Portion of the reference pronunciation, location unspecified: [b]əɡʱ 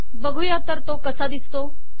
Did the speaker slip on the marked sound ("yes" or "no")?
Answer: no